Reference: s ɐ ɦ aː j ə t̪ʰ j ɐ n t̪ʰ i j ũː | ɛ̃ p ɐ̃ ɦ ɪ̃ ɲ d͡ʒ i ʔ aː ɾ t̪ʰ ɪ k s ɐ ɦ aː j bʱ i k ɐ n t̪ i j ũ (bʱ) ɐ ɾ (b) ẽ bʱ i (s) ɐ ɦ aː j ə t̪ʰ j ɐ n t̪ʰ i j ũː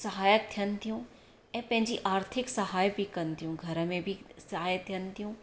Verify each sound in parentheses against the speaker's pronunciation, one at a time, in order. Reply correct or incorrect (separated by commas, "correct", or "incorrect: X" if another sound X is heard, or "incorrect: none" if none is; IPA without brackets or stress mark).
incorrect: ɡʱ, incorrect: m, correct